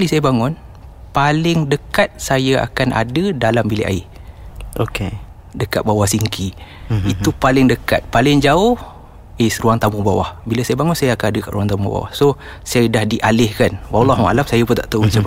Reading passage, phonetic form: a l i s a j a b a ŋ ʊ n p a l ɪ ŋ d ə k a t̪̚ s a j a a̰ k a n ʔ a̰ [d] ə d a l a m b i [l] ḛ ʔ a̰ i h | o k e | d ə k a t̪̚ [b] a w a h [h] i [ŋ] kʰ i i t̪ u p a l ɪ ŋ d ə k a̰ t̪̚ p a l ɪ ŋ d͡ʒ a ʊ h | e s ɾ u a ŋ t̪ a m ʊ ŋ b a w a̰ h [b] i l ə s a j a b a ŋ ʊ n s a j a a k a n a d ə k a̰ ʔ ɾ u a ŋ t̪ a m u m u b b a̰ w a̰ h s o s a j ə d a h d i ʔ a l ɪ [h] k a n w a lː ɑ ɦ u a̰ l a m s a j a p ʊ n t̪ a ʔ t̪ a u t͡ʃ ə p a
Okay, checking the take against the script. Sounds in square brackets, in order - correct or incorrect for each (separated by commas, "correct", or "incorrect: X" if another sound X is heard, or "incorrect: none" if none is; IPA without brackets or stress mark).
correct, correct, correct, incorrect: s, correct, correct, correct